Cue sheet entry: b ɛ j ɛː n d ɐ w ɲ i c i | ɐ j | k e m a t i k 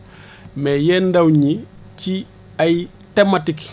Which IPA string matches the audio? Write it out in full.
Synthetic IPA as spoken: m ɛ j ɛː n d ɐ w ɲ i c i | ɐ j | t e m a t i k